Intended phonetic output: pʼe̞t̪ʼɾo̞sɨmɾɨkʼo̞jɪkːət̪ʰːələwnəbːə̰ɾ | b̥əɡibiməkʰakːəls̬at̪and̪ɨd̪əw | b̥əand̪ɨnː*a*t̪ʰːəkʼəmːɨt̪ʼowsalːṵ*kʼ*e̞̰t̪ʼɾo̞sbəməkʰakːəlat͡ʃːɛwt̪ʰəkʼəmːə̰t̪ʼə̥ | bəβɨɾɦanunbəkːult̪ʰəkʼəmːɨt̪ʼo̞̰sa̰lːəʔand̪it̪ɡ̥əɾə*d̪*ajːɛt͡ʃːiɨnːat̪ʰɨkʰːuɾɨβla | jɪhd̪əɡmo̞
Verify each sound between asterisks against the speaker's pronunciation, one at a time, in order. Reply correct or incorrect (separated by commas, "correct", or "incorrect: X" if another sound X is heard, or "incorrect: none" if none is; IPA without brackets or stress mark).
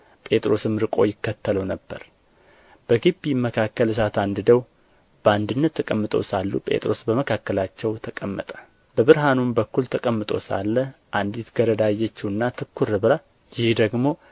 incorrect: ə, incorrect: pʼ, correct